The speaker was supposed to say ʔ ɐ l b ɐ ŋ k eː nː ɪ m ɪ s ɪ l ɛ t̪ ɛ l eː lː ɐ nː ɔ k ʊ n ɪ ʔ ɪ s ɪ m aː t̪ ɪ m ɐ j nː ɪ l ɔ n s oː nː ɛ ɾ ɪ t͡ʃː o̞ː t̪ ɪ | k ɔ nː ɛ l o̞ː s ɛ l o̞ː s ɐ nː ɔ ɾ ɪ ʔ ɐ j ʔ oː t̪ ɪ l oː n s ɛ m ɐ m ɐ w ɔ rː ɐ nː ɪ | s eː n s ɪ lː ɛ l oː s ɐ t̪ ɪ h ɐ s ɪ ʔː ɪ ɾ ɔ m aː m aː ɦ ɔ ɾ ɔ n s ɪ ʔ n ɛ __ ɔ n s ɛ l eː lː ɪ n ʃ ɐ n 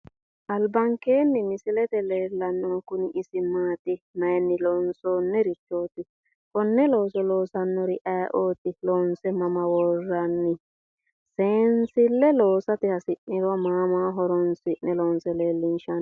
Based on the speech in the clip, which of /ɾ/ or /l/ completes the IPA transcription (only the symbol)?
l